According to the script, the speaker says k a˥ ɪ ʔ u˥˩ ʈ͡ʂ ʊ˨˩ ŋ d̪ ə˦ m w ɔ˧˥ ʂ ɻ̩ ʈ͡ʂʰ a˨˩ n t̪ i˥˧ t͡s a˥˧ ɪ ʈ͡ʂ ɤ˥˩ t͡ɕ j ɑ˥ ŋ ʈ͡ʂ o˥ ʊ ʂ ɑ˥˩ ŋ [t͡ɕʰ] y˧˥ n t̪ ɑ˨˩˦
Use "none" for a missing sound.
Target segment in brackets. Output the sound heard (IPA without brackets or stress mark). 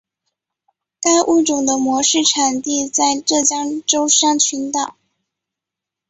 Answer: t͡ɕʰ